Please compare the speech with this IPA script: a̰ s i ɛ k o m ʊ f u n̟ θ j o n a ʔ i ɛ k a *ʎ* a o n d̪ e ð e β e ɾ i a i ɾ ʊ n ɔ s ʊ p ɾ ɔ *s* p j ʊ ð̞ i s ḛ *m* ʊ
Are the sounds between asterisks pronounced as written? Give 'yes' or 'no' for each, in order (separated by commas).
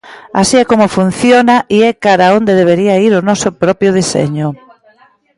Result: no, no, no